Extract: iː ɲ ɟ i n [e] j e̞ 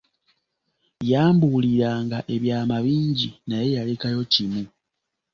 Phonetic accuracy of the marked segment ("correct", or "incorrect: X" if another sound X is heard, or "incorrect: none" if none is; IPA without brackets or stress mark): incorrect: a